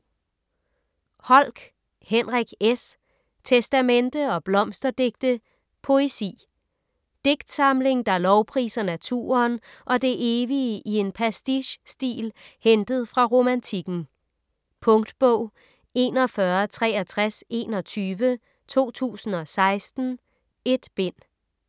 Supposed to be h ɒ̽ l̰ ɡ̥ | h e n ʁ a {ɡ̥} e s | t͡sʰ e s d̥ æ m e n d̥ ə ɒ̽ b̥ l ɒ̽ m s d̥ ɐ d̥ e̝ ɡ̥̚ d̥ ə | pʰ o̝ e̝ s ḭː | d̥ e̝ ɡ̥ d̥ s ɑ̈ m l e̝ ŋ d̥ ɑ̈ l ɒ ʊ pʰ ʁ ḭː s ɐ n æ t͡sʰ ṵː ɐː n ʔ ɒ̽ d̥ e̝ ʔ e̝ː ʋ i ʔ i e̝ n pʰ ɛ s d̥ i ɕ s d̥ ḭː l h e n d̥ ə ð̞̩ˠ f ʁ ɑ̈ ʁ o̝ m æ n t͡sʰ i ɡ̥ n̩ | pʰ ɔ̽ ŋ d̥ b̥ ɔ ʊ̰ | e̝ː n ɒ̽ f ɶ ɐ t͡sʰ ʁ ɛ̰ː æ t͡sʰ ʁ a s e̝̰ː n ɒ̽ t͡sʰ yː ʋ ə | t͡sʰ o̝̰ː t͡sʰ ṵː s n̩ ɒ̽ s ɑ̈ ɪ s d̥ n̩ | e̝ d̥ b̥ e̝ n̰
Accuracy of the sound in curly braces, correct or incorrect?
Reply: correct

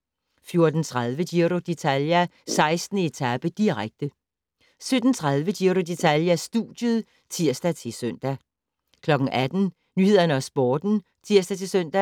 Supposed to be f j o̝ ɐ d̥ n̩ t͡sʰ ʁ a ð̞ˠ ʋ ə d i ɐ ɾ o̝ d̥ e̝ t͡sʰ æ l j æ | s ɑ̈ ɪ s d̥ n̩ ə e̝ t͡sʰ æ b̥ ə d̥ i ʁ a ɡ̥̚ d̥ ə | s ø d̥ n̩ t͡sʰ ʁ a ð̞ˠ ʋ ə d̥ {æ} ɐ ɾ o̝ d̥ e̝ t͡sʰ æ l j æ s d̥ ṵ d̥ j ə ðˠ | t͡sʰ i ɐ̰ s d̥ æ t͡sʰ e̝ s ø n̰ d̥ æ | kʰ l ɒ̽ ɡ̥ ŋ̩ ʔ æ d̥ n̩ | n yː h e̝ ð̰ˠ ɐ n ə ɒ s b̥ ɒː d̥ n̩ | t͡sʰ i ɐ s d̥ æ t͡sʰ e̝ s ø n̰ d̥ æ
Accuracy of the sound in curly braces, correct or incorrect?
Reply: incorrect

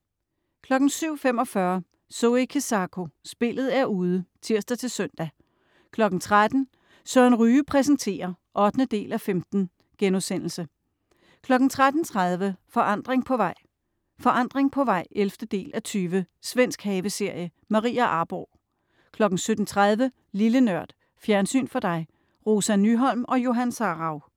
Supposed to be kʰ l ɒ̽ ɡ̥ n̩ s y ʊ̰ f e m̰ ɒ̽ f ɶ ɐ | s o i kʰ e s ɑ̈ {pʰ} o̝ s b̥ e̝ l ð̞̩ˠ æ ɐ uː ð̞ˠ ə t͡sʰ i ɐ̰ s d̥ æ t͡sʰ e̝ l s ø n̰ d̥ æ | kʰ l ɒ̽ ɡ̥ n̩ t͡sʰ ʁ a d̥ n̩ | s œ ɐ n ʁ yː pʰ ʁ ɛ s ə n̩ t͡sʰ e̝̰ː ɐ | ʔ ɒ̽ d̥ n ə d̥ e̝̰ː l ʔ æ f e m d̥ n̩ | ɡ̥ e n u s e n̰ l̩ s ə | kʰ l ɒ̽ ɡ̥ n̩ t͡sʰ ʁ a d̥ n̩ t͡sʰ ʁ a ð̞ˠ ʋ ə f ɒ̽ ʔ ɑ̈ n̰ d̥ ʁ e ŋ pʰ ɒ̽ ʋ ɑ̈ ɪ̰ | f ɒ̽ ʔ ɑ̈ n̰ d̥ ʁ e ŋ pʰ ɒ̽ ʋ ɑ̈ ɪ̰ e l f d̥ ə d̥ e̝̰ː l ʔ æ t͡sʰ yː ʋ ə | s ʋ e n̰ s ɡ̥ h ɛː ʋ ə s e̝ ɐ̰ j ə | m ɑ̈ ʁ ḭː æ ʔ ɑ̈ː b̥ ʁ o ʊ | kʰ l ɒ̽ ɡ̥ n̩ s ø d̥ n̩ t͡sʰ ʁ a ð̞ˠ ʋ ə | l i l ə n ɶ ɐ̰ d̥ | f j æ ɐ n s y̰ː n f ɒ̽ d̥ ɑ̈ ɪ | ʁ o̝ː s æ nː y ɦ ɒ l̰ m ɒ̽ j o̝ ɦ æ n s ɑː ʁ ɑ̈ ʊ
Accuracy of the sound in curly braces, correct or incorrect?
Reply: incorrect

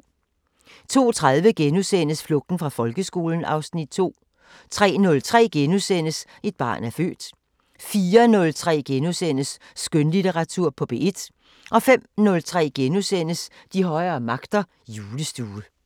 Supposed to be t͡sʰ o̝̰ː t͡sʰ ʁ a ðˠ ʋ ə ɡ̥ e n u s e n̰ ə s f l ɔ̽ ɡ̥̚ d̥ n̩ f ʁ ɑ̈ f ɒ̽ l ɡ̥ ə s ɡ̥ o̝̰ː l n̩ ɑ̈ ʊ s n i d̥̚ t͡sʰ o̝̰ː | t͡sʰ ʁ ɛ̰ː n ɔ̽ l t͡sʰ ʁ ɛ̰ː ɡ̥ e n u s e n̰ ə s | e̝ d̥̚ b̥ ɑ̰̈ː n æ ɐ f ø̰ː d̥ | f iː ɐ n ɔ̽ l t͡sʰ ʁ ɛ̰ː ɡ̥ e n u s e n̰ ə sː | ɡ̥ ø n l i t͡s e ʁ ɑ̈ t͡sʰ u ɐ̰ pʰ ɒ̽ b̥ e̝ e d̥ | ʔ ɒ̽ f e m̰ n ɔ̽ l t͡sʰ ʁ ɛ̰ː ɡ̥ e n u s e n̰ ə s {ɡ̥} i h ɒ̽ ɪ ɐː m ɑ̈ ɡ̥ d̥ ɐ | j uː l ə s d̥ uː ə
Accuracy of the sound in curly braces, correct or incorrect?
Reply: incorrect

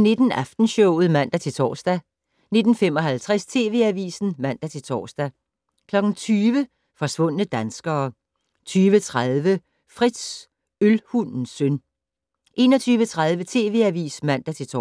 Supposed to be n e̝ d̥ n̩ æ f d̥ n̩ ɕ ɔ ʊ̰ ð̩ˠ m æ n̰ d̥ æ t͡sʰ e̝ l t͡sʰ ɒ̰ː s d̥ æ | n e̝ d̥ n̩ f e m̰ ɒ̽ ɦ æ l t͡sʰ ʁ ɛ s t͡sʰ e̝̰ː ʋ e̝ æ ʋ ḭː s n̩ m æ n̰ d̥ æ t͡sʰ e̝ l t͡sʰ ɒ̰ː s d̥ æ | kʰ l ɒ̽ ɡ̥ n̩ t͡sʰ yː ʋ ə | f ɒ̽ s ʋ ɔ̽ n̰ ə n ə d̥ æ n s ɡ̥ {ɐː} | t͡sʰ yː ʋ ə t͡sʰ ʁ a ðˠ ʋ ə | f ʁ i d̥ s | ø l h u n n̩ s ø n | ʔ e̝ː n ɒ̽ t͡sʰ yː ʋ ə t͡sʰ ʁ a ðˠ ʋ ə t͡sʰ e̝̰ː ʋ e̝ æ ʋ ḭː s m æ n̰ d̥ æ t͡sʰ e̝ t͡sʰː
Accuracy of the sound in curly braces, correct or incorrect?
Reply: correct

